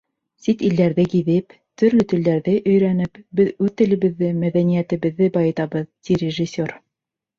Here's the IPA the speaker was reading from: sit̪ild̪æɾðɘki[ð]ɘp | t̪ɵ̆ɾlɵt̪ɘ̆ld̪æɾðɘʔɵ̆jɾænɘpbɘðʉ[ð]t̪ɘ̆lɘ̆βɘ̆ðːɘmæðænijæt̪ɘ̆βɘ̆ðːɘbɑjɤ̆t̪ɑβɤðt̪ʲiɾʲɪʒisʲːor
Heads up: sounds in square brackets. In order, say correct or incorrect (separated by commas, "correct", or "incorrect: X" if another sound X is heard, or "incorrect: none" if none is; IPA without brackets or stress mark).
correct, correct